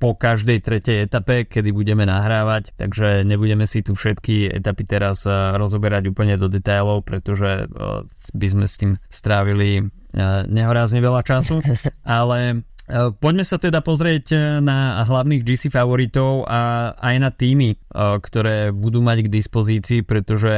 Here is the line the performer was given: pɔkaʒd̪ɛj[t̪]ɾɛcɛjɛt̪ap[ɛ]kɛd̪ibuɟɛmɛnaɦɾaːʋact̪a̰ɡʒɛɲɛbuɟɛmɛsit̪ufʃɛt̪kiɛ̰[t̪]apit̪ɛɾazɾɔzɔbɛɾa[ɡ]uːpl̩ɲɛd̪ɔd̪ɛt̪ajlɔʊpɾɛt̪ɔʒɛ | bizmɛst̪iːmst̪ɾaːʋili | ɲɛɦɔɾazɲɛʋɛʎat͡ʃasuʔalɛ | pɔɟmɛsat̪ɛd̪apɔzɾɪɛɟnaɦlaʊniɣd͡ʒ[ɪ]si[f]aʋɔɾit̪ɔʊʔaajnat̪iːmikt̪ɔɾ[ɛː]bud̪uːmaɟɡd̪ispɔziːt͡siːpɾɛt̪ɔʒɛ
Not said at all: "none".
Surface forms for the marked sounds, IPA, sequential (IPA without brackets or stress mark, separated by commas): t̪, ɛ, t̪, ɟ, i, f, ɛː